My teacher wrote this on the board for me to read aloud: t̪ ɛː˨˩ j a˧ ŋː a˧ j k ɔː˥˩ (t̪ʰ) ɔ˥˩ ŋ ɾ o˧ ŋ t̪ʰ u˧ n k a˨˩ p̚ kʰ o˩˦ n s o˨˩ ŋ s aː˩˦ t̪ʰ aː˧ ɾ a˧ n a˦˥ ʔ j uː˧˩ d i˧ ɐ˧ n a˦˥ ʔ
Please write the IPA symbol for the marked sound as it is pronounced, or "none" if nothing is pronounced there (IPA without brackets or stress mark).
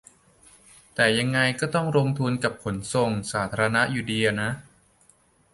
t̪